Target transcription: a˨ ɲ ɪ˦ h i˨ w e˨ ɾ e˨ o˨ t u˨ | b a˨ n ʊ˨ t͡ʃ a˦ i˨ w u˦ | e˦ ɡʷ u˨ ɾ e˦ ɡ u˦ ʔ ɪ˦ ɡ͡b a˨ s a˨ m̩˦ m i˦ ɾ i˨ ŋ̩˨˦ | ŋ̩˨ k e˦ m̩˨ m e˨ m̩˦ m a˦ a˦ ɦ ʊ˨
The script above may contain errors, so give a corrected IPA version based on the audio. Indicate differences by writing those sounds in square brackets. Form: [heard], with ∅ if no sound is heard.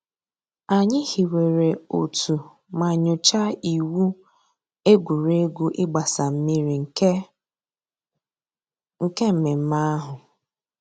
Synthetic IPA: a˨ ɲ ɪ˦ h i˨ w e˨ ɾ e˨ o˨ t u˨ | [m] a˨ [ɲ] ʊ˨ t͡ʃ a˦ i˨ w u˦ | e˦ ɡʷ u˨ ɾ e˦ ɡ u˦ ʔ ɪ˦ ɡ͡b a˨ s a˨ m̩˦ m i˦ ɾ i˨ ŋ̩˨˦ | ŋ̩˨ k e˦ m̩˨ m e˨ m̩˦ m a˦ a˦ ɦ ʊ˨